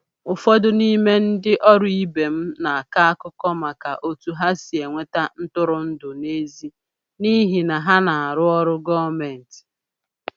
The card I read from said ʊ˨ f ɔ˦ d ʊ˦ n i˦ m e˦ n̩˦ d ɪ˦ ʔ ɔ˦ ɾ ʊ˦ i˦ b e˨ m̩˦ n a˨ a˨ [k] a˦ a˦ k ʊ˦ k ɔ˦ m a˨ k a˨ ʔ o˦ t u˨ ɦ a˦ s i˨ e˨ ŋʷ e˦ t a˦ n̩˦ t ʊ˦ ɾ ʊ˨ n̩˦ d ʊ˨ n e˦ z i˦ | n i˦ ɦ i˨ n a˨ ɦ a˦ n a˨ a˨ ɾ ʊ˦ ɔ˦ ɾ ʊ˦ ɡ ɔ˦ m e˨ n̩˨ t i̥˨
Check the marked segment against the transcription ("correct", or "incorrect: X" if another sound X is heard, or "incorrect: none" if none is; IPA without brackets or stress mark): correct